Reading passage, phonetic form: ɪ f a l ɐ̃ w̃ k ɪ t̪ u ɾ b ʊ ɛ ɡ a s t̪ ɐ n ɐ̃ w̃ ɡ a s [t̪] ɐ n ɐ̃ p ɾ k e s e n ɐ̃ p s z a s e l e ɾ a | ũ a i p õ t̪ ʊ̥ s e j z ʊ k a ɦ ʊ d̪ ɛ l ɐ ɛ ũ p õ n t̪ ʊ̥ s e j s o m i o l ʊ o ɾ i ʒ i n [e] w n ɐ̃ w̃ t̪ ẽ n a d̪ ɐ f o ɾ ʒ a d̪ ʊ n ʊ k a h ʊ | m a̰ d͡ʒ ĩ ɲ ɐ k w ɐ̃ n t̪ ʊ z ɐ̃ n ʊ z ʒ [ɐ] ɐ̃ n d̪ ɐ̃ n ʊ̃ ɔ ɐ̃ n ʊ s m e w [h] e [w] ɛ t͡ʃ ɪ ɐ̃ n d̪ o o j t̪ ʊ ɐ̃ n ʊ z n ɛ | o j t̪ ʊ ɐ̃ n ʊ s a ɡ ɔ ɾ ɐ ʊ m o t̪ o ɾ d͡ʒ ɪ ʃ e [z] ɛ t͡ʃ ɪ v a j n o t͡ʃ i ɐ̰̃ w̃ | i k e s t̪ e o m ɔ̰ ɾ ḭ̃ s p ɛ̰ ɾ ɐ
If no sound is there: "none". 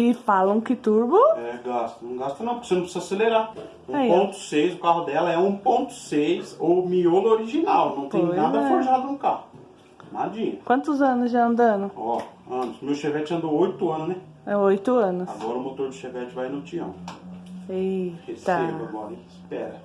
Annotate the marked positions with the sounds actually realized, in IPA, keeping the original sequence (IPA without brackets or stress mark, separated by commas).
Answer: t̪, a, a, ʃ, v, v